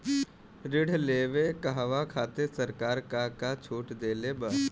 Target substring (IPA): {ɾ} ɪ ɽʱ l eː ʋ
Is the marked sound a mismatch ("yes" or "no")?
no